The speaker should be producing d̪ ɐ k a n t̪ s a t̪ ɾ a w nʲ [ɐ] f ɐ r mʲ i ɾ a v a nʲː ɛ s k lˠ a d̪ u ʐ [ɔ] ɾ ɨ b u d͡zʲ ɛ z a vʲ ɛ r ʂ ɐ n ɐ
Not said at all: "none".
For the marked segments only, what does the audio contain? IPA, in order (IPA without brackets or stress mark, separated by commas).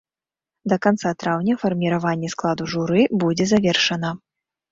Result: ɐ, u